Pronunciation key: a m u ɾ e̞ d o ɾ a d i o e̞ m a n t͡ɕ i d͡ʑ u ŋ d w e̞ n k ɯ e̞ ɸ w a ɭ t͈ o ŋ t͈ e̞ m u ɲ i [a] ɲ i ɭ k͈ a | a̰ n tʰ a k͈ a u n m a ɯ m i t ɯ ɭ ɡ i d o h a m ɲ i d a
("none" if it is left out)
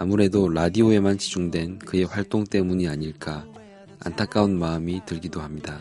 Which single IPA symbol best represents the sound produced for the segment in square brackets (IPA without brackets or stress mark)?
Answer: a